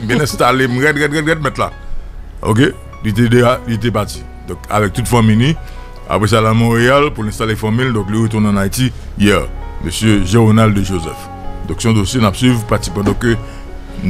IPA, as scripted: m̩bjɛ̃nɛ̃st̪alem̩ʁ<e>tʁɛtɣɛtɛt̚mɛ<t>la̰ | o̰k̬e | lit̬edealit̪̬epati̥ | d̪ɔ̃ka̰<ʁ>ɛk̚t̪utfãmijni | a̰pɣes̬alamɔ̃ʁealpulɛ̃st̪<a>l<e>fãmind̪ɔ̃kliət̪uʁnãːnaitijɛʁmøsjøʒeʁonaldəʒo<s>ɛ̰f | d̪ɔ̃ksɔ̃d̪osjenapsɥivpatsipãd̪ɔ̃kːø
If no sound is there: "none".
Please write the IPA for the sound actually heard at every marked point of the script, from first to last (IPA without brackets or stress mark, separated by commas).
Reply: ɛ, t, v, a, e, z